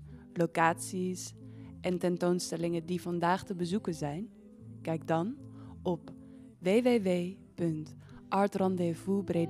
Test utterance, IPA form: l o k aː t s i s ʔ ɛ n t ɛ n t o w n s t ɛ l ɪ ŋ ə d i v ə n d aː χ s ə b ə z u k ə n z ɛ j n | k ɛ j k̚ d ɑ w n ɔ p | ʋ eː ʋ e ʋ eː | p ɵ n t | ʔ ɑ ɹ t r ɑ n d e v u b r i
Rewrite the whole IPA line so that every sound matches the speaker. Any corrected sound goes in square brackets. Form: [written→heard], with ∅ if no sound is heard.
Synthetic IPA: l o k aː t s i s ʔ ɛ n t ɛ n t o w n s t ɛ l ɪ ŋ ə d i v [ə→ɑ] n d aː χ [s→t] ə b ə z u k ə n z ɛ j n | k ɛ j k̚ d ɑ [w→∅] n ɔ p | ʋ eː ʋ e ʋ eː | p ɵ n t | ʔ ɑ ɹ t r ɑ n d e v u b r [i→e]